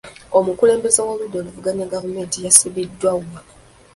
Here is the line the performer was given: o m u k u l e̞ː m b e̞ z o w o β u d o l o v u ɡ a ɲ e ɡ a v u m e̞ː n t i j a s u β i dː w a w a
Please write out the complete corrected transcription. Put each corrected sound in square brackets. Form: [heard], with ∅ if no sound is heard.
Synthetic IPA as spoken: o m u k u l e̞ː m b e̞ z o w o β u d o l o v u ɡ a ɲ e ɡ a v u m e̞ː n t i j a s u β i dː w a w a

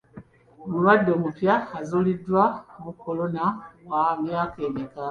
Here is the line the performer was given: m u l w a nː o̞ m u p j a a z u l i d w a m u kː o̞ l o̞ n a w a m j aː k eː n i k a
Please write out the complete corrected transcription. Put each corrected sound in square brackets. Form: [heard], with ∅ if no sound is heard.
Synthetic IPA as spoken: m u l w a [dː] o̞ m u p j a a z u l i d w a m u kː o̞ l o̞ n a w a m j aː k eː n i k a

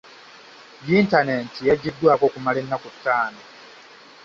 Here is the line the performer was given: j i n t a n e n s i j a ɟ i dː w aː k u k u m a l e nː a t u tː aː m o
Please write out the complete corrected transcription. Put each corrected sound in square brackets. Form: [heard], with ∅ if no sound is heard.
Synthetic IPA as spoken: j i n t a n e n [t] i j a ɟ i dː w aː k [o] k u m a l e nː a [k] u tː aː [n] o

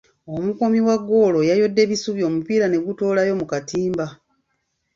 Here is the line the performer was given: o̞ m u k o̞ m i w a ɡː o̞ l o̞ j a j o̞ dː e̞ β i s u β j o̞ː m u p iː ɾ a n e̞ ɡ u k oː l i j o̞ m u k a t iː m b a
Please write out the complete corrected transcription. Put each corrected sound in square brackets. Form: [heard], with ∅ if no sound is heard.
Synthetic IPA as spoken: o̞ m u k o̞ m i w a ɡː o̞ l o̞ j a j o̞ dː e̞ β i s u β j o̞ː m u p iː ɾ a n e̞ ɡ u [t] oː l [a] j o̞ m u k a t iː m b a

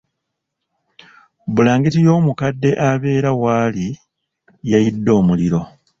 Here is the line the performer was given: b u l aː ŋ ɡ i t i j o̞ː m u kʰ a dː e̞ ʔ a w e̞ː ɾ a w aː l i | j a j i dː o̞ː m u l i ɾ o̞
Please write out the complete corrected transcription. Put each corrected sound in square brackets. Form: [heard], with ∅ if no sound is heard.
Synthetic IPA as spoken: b u l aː ŋ ɡ i t i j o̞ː m u [k] a dː e̞ ʔ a [β] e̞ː ɾ a w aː l i | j a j i dː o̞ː m u l i ɾ o̞

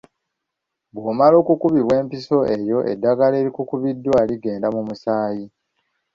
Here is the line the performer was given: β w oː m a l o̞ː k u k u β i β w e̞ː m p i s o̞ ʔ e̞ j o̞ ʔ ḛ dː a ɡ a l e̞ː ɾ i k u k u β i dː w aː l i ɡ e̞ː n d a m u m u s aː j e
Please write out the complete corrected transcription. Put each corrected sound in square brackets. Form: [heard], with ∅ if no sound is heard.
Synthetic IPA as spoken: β w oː m a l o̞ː k u k u β i β w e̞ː m p i s o̞ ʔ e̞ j o̞ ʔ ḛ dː a ɡ a l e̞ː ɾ i k u k u β i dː w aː l i ɡ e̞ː n d a m u m u s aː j [i]

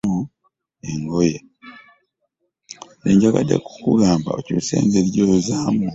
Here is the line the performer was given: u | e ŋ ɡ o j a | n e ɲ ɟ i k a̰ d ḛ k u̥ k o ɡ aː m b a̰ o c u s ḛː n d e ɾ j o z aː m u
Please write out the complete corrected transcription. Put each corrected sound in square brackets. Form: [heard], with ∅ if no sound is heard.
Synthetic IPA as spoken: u | e ŋ ɡ o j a | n e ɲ ɟ [a] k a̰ d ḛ k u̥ k [u] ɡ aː m b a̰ o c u s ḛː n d e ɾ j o z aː m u

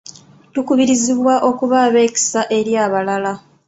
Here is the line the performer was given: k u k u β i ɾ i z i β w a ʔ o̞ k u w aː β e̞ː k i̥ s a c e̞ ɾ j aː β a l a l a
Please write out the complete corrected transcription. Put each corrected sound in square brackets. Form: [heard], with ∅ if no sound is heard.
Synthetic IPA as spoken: [t] u k u β i ɾ i z i β w a ʔ o̞ k u [β] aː β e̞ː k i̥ s a [ʔ] e̞ ɾ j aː β a l a l a

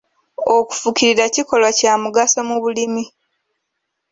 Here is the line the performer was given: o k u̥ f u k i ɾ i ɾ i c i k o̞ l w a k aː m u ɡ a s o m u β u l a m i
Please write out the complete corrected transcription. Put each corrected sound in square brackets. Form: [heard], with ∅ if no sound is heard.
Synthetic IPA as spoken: o k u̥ f u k i ɾ i ɾ [a] c i k o̞ l w a [c] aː m u ɡ a s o m u β u l [i] m i

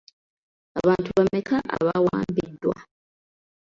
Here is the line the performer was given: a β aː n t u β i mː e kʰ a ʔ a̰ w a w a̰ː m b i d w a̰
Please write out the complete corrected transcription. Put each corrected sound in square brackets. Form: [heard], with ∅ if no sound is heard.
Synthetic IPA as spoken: a β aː n t u β [a] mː e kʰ a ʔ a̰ [β] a w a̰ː m b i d w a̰

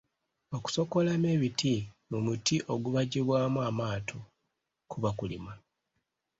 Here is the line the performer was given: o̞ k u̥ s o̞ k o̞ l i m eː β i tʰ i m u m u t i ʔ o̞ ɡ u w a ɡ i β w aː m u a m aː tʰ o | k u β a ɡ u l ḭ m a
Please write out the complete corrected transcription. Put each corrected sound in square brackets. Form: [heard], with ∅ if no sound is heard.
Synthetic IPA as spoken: o̞ k u̥ s o̞ k o̞ l [a] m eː β i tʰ i m u m u t i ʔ o̞ ɡ u [β] a [ɟ] i β w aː m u a m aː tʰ o | k u β a [k] u l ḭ m a

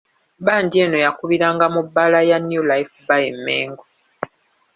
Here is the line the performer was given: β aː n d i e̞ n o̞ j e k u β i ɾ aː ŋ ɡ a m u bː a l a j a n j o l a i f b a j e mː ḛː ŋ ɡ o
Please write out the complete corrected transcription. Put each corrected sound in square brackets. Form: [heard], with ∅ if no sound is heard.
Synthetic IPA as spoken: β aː n d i e̞ n o̞ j [a] k u β i ɾ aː ŋ ɡ a m u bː a l a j a n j [u] l a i f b a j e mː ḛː ŋ ɡ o

